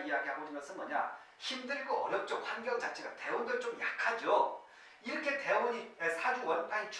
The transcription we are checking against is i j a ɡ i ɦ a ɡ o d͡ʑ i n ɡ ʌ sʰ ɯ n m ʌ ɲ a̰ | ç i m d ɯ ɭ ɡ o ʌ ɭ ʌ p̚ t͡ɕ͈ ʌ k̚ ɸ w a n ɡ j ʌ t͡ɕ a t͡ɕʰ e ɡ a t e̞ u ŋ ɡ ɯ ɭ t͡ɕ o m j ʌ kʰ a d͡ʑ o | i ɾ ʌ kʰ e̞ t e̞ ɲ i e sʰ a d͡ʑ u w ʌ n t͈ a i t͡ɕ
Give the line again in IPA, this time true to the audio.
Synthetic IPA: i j a ɡ i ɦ a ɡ o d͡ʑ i n ɡ ʌ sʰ ɯ n m ʌ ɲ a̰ | ç i m d ɯ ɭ ɡ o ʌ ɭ ʌ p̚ t͡ɕ͈ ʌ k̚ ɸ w a n ɡ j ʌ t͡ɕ a t͡ɕʰ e ɡ a t e̞ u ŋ d ɯ ɭ t͡ɕ o m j a kʰ a d͡ʑ o | i ɾ ʌ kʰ e̞ t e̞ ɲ i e sʰ a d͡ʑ u w ʌ n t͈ a i t͡ɕ

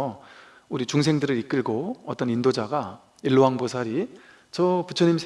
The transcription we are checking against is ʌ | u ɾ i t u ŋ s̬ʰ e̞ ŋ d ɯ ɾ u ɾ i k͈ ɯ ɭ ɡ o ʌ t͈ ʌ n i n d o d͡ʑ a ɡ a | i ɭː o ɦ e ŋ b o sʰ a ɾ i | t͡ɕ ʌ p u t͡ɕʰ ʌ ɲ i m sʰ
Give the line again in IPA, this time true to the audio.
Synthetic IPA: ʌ | u ɾ i t͡ɕ u ŋ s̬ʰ e̞ ŋ d ɯ ɾ ɯ ɾ i k͈ ɯ ɭ ɡ o ʌ t͈ ʌ n i n d o d͡ʑ a ɡ a | i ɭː o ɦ a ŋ b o sʰ a ɾ i | t͡ɕ ʌ p u t͡ɕʰ ʌ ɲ i m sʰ

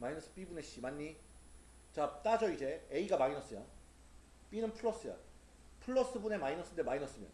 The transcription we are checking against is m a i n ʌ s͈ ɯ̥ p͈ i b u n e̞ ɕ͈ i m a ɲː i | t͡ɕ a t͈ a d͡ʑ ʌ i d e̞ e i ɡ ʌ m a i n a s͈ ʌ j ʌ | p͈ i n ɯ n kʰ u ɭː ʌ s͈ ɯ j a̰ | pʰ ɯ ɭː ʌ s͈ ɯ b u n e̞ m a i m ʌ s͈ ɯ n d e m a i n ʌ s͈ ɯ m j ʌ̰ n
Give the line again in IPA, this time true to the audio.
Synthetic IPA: m a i n ʌ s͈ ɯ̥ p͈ i b u n e̞ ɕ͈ i m a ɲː i | t͡ɕ a t͈ a d͡ʑ ʌ i d͡ʑ e̞ e i ɡ a m a i n ʌ s͈ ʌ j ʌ | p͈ i n ɯ n pʰ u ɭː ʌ s͈ ɯ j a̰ | pʰ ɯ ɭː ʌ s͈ ɯ b u n e̞ m a i n ʌ s͈ ɯ n d e m a i n ʌ s͈ ɯ m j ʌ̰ n

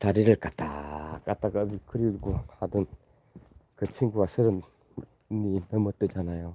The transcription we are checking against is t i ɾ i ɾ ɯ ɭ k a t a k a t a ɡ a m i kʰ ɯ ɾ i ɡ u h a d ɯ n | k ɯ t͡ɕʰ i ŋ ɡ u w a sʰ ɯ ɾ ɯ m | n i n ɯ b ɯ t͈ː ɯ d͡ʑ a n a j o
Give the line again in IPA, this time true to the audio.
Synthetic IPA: t a ɾ i ɾ ɯ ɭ k a t a k a t a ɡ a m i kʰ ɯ ɾ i ɡ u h a d ɯ n | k ɯ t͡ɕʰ i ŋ ɡ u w a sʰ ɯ ɾ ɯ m | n i n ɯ m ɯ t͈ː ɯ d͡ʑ a n a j o

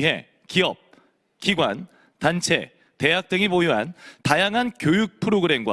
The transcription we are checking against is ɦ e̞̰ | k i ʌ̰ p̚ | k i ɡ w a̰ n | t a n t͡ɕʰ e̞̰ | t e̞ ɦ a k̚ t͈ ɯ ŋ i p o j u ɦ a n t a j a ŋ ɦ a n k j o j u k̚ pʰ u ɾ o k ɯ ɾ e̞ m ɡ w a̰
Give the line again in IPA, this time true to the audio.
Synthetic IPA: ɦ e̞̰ | k i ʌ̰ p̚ | k i ɡ w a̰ n | t a n t͡ɕʰ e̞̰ | t e̞ ɦ a k̚ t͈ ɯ ŋ i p o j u ɦ a n t a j a ŋ ɦ a n k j o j u k̚ pʰ ɯ ɾ o ɡ ɯ ɾ e̞ m ɡ w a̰

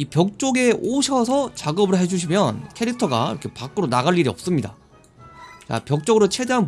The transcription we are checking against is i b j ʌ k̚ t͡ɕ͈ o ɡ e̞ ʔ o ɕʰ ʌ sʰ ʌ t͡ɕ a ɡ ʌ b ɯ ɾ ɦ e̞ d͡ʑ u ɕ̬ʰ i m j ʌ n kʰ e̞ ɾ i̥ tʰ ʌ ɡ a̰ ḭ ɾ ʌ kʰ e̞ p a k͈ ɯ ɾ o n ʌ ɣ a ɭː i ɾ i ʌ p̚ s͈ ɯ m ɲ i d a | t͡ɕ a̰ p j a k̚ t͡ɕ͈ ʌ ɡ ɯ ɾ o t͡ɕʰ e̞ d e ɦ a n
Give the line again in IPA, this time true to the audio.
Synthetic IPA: i p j ʌ k̚ t͡ɕ͈ o ɡ e̞ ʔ o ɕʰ ʌ sʰ ʌ t͡ɕ a ɡ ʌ b ɯ ɭ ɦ e̞ d͡ʑ u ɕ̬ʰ i m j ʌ n kʰ e̞ ɾ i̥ tʰ ʌ ɡ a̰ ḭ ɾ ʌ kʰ e̞ p a k͈ ɯ ɾ o n a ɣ a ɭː i ɾ i ʌ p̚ s͈ ɯ m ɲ i d a | t͡ɕ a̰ p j ʌ k̚ t͡ɕ͈ ʌ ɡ ɯ ɾ o t͡ɕʰ e̞ d e ɦ a n

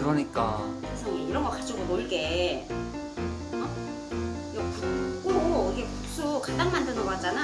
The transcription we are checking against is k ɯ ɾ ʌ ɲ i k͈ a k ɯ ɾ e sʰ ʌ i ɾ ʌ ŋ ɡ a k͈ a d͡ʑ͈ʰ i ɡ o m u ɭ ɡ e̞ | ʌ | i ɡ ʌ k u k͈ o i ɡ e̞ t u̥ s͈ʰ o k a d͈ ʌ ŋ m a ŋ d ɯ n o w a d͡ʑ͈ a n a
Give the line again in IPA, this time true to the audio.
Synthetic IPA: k ɯ ɾ ʌ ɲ i k͈ a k ɯ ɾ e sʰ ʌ i ɾ ʌ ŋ ɡ ʌ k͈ a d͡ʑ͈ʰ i ɡ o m o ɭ ɡ e̞ | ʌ | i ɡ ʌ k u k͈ o i ɡ e̞ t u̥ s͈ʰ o k a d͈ a ŋ m a n d ɯ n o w a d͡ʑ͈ a n a

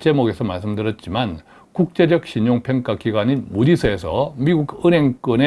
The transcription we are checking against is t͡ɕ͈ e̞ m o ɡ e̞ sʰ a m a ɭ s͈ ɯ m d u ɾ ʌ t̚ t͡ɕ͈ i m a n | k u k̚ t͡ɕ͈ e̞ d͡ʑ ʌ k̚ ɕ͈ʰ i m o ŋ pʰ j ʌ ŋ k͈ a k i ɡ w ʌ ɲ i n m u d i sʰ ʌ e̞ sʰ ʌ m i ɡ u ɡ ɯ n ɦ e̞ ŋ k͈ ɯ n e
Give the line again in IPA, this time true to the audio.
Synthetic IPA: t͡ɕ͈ e̞ m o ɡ e̞ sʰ ʌ m a ɭ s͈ ɯ m d ɯ ɾ ʌ t̚ t͡ɕ͈ i m a n | k u k̚ t͡ɕ͈ e̞ d͡ʑ ʌ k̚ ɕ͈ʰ i ɲ o ŋ pʰ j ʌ ŋ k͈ a k i ɡ w a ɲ i n m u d i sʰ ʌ e̞ sʰ ʌ m i ɡ u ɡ ɯ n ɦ e̞ ŋ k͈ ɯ n e

